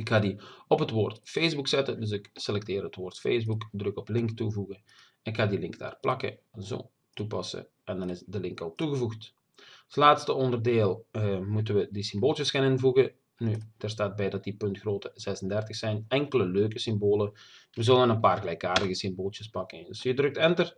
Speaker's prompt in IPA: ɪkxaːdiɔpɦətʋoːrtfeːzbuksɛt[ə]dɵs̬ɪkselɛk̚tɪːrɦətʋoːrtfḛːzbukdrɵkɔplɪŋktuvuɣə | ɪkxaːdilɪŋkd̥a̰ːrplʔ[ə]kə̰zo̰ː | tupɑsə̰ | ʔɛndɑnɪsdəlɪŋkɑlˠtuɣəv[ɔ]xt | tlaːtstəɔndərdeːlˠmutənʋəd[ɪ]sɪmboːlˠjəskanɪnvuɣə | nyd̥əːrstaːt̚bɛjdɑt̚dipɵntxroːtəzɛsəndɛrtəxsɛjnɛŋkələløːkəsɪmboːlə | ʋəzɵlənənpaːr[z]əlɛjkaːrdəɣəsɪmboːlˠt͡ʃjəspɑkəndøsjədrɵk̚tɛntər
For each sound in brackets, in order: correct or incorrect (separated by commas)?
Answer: correct, incorrect, incorrect, incorrect, incorrect